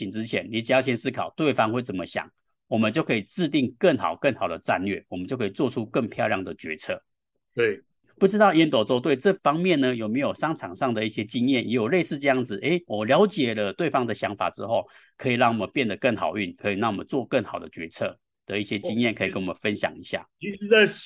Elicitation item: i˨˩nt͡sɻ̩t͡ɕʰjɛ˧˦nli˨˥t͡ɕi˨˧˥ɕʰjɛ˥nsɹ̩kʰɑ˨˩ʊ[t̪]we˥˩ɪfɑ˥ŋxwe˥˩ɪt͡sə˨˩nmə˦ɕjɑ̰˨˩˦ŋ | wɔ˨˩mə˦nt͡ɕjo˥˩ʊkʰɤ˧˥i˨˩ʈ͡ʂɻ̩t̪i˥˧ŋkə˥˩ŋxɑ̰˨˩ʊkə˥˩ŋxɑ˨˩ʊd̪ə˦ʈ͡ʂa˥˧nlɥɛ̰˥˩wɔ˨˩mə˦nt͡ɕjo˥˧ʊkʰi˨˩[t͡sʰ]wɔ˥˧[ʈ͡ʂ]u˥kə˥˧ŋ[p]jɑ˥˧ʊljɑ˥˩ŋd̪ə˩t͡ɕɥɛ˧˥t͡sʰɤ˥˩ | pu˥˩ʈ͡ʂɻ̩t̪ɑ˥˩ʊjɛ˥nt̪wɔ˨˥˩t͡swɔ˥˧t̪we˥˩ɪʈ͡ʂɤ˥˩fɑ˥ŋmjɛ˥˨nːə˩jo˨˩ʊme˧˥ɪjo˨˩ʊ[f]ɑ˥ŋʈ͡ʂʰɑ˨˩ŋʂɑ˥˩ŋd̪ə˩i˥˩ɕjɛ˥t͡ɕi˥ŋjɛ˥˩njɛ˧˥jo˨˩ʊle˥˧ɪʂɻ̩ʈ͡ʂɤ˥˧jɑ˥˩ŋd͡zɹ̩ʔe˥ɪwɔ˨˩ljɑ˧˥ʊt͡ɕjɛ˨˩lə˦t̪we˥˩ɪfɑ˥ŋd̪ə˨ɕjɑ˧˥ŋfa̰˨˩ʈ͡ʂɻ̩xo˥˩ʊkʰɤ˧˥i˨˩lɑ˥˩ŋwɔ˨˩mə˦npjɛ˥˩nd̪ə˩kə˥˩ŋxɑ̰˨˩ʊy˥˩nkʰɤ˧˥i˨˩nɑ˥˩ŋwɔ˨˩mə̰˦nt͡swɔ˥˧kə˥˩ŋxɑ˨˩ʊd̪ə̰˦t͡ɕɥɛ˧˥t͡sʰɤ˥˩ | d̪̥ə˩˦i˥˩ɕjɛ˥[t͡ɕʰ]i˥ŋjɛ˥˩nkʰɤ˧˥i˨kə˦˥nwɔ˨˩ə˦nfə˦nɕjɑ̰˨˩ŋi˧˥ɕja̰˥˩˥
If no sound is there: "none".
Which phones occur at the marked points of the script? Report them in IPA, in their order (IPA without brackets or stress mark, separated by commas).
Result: t̪, t͡s, ʈ͡ʂʰ, pʰ, ʂ, t͡ɕ